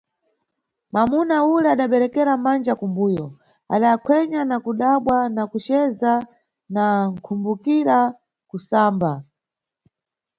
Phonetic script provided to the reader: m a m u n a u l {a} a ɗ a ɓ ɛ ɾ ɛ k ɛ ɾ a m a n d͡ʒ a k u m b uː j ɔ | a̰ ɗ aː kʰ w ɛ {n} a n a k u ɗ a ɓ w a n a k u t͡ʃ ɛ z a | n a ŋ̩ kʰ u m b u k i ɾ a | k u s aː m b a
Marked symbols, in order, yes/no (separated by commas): no, no